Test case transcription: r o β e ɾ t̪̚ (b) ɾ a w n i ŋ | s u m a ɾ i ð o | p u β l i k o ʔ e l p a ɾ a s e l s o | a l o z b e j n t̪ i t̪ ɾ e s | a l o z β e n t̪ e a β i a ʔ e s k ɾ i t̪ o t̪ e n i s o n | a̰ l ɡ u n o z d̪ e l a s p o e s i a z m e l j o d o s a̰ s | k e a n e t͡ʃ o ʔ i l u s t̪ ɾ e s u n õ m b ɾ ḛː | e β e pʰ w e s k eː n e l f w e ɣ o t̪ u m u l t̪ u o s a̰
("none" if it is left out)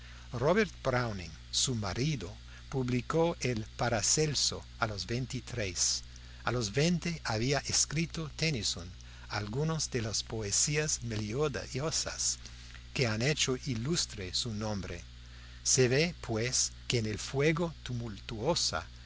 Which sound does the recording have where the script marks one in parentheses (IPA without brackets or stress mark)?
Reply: b